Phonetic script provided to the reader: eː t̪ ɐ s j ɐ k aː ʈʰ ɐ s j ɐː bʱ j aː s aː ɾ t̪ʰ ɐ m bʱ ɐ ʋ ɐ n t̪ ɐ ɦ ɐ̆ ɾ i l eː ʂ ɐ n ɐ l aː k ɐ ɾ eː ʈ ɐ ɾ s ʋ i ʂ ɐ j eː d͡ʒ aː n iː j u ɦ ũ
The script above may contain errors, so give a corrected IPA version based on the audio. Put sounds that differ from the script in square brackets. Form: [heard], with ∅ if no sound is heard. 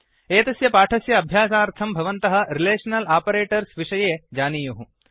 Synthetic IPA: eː t̪ ɐ s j ɐ [p] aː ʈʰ ɐ s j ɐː bʱ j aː s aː ɾ t̪ʰ ɐ m bʱ ɐ ʋ ɐ n t̪ ɐ ɦ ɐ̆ ɾ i l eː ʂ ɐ n ɐ l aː [p] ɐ ɾ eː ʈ ɐ ɾ s ʋ i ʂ ɐ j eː d͡ʒ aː n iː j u ɦ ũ